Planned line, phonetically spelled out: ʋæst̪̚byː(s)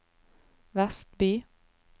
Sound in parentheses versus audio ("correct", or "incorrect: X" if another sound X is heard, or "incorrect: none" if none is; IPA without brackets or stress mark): incorrect: none